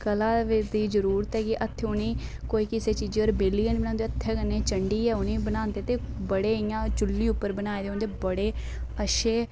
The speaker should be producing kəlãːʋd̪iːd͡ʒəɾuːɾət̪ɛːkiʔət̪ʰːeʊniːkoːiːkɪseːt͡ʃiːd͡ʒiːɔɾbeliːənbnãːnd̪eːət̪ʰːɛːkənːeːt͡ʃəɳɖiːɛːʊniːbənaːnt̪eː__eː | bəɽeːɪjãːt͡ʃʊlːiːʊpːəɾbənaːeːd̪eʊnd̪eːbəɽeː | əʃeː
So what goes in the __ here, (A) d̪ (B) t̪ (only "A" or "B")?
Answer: B